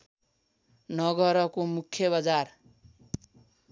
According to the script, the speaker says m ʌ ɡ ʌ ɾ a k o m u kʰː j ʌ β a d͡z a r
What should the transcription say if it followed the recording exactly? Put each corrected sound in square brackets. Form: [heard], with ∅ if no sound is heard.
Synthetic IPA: [n] ʌ ɡ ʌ ɾ [ʌ] k o m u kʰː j ʌ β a d͡z a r